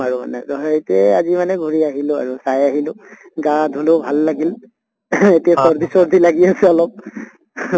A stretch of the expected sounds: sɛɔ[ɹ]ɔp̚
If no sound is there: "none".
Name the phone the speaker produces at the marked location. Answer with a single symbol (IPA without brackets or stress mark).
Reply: l